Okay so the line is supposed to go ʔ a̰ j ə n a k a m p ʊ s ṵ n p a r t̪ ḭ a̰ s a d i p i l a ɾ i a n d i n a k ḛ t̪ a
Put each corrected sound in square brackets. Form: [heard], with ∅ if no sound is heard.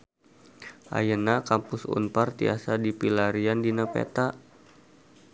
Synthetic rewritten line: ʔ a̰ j ə n a k a m p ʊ s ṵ n p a r t̪ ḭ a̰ s a d i p i l a ɾ i a n d i n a [p] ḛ t̪ a